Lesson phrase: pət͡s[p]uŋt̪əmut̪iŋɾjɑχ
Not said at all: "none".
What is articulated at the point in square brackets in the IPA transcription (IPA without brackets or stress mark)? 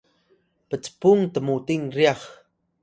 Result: p